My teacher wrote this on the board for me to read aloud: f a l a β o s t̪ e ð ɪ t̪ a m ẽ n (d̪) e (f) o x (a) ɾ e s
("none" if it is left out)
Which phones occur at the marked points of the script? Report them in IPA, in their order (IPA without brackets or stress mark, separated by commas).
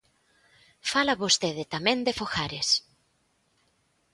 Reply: d̪, f, a